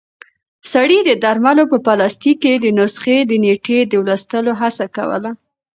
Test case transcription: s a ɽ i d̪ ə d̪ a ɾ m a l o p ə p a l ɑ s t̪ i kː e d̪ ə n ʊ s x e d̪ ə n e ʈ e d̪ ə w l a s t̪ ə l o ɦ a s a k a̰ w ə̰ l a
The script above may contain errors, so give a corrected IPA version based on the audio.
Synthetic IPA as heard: s a ɽ i d̪ ə d̪ a ɾ m a l o p ə p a l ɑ s t̪ i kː e d̪ ə n ʊ s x e d̪ ə n e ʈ e d̪ ə w l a s t̪ ə l o ɦ a s a k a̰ w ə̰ l a